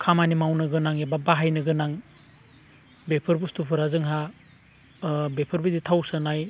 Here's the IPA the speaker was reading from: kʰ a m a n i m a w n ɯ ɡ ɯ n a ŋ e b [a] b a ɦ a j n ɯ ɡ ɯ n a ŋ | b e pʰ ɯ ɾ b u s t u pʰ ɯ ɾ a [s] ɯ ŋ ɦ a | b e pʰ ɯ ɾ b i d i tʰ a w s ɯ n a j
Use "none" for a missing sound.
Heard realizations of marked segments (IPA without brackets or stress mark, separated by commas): a, z